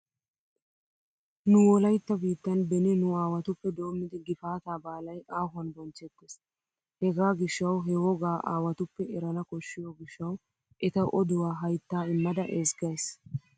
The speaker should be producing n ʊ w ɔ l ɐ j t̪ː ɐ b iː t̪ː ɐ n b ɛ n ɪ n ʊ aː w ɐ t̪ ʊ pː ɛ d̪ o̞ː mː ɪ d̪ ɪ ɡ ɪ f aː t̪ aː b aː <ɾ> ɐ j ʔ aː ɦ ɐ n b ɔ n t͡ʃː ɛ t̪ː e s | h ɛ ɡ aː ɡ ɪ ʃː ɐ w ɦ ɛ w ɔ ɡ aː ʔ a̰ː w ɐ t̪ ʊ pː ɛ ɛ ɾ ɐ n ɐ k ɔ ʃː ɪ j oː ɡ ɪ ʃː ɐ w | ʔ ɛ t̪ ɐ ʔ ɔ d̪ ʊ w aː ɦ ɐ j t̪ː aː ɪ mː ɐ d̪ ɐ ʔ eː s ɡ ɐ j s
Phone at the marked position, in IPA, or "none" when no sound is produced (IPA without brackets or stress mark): l